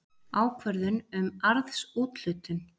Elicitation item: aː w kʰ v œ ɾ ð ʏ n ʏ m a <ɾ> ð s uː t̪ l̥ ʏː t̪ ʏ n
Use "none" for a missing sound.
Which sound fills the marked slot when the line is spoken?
ɾ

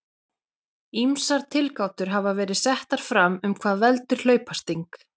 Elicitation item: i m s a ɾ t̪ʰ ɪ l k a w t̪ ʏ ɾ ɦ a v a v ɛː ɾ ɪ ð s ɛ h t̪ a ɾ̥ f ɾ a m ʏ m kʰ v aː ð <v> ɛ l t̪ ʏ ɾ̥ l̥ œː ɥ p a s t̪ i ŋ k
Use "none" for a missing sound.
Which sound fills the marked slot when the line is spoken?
v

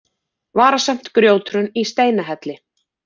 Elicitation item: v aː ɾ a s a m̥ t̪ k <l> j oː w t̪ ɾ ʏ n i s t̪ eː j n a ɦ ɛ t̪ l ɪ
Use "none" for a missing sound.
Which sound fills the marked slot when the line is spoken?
ɾ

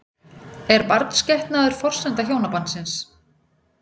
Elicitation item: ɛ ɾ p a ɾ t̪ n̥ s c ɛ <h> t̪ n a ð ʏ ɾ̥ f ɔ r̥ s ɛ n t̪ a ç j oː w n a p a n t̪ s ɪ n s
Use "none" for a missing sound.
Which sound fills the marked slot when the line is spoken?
h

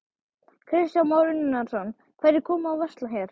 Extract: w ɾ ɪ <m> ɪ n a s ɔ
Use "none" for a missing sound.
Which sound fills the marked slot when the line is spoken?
n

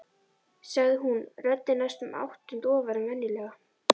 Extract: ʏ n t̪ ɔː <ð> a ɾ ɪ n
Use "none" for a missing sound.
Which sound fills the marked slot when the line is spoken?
v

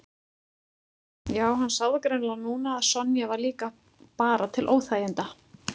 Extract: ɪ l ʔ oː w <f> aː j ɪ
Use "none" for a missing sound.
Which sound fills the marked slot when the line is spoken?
θ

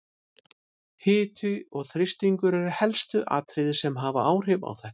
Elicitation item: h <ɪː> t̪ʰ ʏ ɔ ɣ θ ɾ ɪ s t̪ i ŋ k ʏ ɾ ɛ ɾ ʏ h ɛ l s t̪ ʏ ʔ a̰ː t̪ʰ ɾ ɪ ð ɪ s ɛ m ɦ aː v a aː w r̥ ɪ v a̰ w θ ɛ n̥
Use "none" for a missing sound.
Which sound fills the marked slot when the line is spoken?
ɪː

